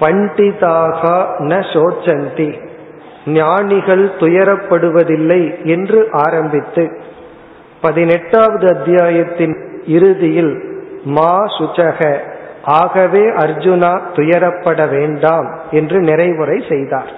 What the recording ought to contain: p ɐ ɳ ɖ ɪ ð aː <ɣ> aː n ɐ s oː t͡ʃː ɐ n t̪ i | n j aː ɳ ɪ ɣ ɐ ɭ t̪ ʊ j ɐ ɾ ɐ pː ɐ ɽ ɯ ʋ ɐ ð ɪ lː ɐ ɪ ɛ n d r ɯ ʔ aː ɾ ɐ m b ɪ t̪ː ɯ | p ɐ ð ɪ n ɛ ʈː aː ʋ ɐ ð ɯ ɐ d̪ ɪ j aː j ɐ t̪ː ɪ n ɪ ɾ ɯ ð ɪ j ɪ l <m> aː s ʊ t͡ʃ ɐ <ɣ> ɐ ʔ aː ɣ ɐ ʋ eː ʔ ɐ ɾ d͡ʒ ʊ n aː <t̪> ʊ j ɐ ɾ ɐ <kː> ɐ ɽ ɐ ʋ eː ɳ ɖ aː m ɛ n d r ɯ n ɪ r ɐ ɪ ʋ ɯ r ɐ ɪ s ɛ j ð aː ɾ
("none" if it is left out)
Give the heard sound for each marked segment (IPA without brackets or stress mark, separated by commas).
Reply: ɣ, m, ɣ, t̪, pː